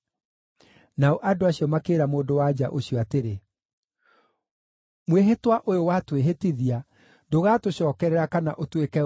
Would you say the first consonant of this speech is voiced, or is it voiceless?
voiced